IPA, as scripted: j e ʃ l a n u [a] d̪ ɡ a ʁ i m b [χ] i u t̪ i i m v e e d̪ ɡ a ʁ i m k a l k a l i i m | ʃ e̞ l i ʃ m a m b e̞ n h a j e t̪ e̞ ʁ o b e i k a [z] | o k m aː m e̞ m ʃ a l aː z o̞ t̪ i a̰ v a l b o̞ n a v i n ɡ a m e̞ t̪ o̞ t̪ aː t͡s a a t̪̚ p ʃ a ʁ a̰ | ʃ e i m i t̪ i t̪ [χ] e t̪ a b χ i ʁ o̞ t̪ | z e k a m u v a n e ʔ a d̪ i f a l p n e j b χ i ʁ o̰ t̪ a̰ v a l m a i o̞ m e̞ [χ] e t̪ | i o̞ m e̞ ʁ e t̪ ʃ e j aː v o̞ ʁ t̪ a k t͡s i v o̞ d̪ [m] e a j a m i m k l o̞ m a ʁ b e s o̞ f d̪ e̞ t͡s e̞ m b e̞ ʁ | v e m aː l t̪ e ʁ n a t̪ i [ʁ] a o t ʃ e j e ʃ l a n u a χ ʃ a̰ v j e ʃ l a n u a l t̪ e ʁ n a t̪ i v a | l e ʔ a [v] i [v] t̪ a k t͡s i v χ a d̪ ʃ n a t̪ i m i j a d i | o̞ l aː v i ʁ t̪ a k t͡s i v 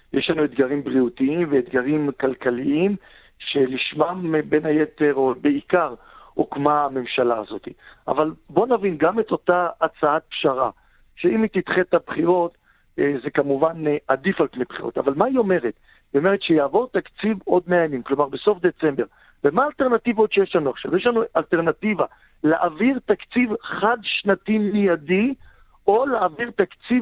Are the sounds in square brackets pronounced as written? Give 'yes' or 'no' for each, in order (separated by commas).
no, no, no, yes, no, yes, no, yes, no